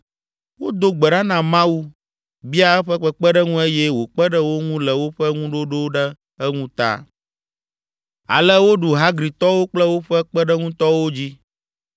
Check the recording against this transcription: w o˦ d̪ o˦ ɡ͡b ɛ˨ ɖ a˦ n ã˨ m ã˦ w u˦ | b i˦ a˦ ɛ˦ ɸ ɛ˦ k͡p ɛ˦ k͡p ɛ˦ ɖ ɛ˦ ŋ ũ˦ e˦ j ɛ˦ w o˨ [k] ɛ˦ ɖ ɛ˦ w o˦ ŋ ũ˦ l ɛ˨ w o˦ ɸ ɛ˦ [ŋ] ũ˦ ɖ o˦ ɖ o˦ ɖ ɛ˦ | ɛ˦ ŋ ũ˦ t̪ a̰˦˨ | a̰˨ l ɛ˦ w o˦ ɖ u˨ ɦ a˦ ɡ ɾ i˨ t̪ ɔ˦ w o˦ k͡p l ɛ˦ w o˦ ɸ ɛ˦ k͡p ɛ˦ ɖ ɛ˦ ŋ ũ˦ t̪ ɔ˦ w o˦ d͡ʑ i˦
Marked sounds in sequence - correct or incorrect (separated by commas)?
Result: incorrect, correct